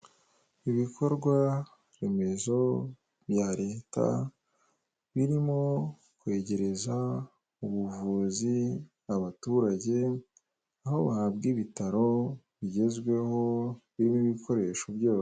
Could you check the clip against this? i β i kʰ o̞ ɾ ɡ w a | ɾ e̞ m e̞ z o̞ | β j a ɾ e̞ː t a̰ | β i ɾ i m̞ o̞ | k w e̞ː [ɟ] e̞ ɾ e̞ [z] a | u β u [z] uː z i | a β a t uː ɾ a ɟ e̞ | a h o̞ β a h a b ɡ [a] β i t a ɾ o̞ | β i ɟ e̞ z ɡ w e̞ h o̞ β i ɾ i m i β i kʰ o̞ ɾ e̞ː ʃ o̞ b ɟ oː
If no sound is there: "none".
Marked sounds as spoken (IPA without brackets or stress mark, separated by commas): ɟ, z, v, i